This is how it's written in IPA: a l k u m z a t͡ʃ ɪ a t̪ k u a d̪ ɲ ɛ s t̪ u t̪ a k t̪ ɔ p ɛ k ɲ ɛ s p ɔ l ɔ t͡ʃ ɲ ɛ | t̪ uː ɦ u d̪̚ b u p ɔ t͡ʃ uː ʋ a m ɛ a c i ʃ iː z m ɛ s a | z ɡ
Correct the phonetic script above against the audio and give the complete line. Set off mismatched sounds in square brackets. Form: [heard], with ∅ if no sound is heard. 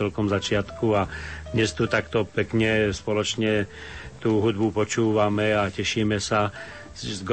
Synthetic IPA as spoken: [ɛ] l k [ɔ] m z a t͡ʃ ɪ a t̪ k u a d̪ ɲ ɛ s t̪ u t̪ a k t̪ ɔ p ɛ k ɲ ɛ s p ɔ l ɔ t͡ʃ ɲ ɛ | t̪ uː ɦ u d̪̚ b u p ɔ t͡ʃ uː ʋ a m ɛ a c [ɛ] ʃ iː [∅] m ɛ s a | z ɡ